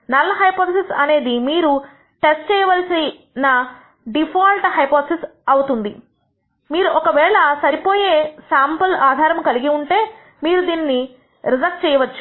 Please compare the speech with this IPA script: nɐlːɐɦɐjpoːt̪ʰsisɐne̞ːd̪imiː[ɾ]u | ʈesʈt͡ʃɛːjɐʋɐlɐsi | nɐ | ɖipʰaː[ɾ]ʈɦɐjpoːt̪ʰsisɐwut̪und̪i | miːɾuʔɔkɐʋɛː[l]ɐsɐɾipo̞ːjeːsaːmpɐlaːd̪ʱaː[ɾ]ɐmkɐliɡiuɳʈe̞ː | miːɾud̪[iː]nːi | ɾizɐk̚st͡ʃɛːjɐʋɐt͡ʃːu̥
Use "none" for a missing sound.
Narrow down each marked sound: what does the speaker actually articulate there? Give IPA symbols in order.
ɾ, l, ɭ, ɾ, iː

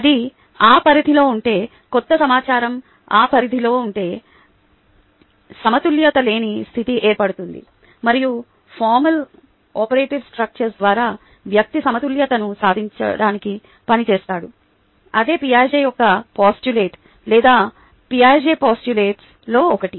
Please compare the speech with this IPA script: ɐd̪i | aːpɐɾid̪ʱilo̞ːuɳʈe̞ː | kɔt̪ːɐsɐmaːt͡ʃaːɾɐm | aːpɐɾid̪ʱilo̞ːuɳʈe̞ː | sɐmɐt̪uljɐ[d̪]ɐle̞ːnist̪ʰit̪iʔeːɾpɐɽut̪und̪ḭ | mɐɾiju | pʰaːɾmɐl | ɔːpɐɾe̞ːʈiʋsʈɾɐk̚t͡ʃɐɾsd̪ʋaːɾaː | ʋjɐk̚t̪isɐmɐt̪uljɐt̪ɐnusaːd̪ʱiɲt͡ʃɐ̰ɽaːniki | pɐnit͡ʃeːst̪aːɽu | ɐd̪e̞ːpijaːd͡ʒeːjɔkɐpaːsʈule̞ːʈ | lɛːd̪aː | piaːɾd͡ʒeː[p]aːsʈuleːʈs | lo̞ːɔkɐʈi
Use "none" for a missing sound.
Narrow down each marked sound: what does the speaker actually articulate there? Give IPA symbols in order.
t̪, p

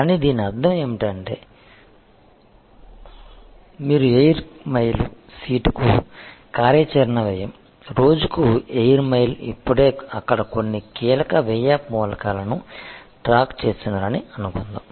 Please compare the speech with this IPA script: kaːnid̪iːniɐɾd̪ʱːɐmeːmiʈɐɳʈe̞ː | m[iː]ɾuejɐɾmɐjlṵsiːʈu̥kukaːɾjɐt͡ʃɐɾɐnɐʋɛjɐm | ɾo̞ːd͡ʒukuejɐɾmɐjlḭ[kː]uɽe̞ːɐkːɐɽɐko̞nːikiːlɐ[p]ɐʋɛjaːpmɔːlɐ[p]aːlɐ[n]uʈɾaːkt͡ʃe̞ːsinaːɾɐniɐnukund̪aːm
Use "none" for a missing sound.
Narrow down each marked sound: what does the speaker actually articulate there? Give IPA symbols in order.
iː, pː, k, k, n

